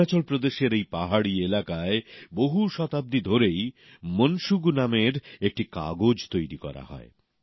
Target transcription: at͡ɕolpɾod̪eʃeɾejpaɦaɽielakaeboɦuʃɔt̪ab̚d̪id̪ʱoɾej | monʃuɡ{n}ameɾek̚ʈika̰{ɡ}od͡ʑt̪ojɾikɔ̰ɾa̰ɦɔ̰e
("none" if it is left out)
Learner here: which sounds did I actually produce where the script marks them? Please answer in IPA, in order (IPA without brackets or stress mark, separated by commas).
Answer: n, ɡ